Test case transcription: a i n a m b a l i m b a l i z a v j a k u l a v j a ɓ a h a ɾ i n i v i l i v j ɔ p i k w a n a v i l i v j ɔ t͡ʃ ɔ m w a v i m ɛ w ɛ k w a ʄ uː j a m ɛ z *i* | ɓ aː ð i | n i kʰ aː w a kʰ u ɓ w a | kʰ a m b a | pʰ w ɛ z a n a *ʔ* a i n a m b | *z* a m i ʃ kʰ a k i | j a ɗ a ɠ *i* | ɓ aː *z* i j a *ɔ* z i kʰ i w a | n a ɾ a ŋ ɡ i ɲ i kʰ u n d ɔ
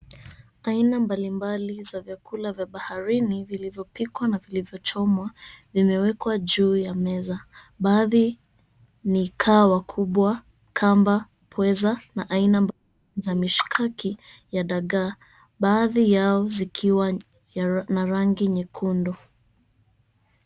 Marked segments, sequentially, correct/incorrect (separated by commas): incorrect, correct, correct, incorrect, incorrect, correct